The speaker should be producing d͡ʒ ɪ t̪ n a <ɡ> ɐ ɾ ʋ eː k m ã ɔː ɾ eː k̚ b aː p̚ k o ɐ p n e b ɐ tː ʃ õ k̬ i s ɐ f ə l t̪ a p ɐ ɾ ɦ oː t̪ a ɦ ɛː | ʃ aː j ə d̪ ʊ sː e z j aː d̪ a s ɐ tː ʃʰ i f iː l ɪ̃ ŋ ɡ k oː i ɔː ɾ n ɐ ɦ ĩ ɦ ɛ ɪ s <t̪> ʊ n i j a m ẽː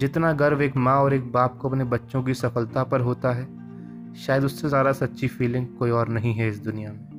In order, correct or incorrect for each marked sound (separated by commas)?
correct, incorrect